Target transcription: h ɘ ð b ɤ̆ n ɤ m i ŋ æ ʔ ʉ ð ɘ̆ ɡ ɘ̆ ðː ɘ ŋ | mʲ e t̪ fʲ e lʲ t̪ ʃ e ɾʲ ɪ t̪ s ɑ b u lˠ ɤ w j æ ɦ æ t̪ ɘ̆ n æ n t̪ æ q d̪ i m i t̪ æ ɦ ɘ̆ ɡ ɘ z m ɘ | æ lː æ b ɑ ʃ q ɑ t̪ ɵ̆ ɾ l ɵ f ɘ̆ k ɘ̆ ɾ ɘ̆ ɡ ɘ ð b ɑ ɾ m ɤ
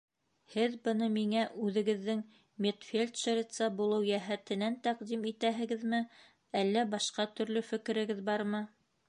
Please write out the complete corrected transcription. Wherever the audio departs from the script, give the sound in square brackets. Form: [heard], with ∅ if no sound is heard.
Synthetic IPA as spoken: h ɘ ð b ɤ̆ n ɤ m i ŋ æ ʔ ʉ ð ɘ̆ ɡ ɘ̆ ðː ɘ ŋ | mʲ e t̪ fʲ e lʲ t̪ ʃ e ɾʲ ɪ t̪ s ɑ b u lˠ ɤ w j æ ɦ æ t̪ ɘ̆ n æ n t̪ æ q d̪ i m i t̪ æ ɦ ɘ̆ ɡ ɘ [ð] m ɘ | æ lː æ b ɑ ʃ q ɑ t̪ ɵ̆ ɾ l ɵ f ɘ̆ k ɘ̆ ɾ ɘ̆ ɡ ɘ ð b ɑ ɾ m ɤ